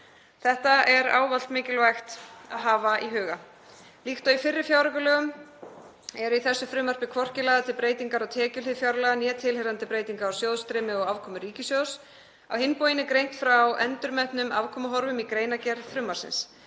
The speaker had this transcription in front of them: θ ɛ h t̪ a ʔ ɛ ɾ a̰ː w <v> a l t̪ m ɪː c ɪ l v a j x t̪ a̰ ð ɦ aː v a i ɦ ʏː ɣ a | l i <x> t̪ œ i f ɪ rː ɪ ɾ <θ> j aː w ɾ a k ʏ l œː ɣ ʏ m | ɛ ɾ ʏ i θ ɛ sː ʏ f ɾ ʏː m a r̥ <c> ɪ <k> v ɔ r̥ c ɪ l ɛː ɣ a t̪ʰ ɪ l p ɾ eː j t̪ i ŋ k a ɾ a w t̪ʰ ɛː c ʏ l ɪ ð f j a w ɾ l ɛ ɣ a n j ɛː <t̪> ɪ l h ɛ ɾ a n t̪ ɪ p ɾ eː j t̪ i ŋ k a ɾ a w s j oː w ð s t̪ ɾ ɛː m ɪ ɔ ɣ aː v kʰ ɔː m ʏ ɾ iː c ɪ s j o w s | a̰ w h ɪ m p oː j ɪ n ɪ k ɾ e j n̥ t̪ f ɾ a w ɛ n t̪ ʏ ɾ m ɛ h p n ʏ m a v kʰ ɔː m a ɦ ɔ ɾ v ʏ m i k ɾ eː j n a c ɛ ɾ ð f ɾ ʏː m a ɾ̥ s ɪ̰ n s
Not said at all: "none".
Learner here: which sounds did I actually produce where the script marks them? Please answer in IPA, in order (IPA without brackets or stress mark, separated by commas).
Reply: v, x, f, p, kʰ, t̪ʰ